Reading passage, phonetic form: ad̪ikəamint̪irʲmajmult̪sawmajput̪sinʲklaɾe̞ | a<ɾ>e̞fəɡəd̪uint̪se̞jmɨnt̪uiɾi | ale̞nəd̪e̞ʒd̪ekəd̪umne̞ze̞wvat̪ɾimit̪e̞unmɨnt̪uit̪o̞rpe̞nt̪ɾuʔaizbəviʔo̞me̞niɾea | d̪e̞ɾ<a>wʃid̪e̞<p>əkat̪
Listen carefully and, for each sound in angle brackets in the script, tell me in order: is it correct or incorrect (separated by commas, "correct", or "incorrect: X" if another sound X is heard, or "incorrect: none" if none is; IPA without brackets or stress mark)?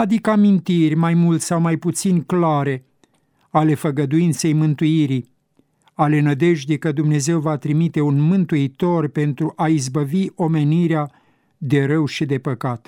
incorrect: l, incorrect: ə, correct